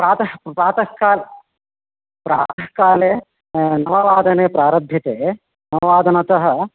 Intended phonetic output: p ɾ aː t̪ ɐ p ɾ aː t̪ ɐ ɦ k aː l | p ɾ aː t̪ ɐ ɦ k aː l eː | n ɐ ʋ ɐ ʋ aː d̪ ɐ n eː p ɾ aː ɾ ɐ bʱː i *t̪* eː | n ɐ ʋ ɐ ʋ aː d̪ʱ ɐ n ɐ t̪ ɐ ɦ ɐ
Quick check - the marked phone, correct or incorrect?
correct